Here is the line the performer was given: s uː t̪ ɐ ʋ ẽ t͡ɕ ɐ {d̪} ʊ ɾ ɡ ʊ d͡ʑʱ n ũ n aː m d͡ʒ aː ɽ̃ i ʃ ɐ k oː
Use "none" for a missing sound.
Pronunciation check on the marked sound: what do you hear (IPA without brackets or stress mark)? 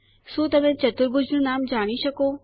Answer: t̪